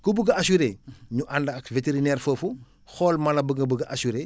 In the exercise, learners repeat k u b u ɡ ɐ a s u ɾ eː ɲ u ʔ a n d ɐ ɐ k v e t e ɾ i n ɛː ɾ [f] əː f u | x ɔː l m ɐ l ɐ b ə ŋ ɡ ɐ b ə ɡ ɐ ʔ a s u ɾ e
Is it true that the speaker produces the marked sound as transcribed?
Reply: yes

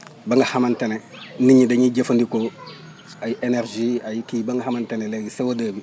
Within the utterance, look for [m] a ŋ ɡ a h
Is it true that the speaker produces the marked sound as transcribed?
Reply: no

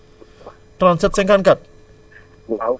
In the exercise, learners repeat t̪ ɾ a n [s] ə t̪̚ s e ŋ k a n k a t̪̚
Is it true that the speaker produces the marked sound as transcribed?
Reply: yes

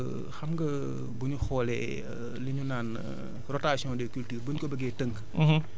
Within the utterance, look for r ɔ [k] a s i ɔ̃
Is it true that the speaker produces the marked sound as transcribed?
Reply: no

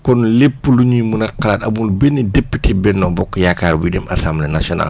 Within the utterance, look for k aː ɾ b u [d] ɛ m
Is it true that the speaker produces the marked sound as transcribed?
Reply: yes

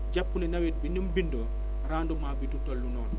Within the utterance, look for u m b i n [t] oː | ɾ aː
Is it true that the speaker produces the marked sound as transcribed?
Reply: no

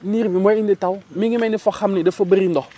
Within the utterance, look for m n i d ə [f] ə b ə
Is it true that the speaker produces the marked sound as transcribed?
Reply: yes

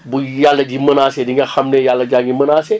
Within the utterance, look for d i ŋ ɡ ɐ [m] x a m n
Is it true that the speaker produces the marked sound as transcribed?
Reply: no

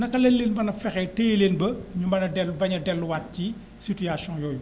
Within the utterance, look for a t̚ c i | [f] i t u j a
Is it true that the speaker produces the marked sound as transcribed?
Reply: no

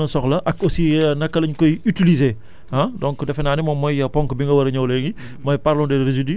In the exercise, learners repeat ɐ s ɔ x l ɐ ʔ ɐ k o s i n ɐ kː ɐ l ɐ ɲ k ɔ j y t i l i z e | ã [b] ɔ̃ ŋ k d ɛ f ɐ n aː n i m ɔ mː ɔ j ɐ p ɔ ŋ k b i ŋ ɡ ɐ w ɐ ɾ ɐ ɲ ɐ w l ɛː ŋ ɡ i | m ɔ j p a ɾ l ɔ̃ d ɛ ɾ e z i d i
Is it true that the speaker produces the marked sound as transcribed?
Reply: no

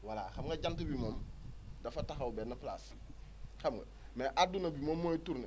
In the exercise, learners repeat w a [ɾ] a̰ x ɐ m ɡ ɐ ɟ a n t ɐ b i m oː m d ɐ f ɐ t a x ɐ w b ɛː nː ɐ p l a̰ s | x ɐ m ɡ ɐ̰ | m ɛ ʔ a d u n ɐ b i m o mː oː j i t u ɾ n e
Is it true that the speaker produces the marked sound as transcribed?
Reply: no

